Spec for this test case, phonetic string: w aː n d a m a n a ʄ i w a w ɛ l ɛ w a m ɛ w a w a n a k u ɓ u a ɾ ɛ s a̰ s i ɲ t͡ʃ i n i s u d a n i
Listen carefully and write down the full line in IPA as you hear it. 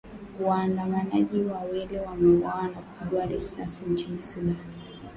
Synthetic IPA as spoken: w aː n d a m a n a ʄ i w a w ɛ l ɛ w a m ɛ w a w a n a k u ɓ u a ɾ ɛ s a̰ s i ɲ t͡ʃ i n i s u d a n i

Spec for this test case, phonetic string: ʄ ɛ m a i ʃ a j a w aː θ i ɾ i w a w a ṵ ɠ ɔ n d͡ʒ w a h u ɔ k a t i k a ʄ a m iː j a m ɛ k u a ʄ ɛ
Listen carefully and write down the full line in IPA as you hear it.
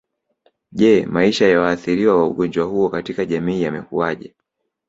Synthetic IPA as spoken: ʄ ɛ m a i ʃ a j a w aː θ i ɾ i w a w a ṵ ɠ ɔ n d͡ʒ w a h u ɔ k a t i k a ʄ a m iː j a m ɛ k u a ʄ ɛ

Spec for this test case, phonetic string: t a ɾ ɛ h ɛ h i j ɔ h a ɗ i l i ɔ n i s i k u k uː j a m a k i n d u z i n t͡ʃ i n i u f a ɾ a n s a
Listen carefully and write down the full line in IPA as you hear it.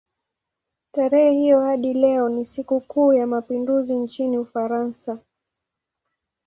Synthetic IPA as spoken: t a ɾ ɛ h ɛ h i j ɔ h a ɗ i l ɛ ɔ n i s i k u k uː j a m a p i n d u z i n t͡ʃ i n i u f a ɾ a n s a

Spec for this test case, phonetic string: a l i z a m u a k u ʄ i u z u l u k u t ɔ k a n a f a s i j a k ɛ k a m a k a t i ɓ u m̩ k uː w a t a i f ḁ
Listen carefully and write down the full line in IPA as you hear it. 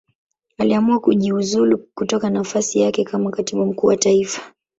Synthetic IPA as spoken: a l i a m u a k u ʄ i u z u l u k u t ɔ k a n a f a s i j a k ɛ k a m a k a t i ɓ u m̩ k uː w a t a i f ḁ

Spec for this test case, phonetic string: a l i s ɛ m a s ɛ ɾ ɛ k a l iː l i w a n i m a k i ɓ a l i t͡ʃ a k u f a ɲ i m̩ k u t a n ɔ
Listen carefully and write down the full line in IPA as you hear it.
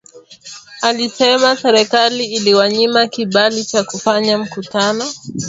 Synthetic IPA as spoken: a l i s ɛ m a s ɛ ɾ ɛ k a l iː l i w a ɲ i m a k i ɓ a l i t͡ʃ a k u f a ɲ a m̩ k u t a n ɔ

